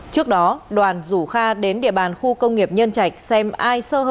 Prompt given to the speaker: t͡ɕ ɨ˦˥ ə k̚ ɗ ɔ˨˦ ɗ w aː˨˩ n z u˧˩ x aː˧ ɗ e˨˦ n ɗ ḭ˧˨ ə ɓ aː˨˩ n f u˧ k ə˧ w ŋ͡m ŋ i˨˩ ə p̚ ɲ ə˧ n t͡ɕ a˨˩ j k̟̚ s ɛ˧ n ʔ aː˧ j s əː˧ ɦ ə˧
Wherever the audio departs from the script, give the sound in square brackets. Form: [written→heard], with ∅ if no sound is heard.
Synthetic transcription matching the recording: t͡ɕ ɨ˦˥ ə k̚ ɗ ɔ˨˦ ɗ w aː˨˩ n z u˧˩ x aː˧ ɗ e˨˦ n ɗ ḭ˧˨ ə ɓ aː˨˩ n [f→x] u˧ k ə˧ w ŋ͡m ŋ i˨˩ ə p̚ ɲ ə˧ n t͡ɕ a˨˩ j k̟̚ s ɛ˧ [n→m] ʔ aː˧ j s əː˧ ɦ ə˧

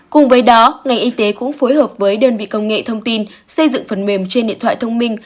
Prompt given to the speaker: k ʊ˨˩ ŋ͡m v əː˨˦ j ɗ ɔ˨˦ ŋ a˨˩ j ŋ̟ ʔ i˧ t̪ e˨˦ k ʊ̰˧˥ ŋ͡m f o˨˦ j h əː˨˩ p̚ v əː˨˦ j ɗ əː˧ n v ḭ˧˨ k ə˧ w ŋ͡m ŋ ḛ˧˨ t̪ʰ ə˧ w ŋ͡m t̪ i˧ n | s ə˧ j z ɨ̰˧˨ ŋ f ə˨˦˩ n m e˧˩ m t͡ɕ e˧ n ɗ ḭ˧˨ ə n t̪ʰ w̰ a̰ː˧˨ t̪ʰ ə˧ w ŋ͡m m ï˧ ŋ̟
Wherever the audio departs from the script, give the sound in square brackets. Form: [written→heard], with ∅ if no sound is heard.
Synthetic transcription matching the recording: k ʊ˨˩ ŋ͡m v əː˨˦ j ɗ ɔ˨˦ ŋ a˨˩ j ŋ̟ ʔ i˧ t̪ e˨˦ k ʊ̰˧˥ ŋ͡m f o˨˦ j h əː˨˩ p̚ v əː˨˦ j ɗ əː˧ n v ḭ˧˨ k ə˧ w ŋ͡m ŋ ḛ˧˨ t̪ʰ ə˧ w ŋ͡m t̪ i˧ n | s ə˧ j z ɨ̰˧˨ ŋ f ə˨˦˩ n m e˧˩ m t͡ɕ e˧ n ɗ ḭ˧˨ ə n t̪ʰ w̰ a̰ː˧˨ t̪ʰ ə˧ w ŋ͡m m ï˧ ŋ̟

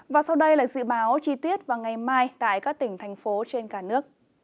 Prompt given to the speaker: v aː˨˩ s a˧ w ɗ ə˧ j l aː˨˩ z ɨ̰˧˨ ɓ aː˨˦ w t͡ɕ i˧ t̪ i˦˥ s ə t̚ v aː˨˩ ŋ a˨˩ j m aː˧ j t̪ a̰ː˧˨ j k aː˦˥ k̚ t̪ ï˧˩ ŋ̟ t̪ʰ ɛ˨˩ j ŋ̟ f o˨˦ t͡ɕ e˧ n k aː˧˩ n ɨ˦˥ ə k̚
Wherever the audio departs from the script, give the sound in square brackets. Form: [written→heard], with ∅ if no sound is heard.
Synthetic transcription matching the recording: v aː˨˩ s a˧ w ɗ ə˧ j l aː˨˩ z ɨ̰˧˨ ɓ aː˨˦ w t͡ɕ i˧ t̪ i˦˥ [s→∅] ə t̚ v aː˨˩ ŋ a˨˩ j m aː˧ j t̪ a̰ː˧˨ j k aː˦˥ k̚ t̪ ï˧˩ ŋ̟ t̪ʰ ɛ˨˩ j ŋ̟ f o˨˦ t͡ɕ e˧ n k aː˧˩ n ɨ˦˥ ə k̚

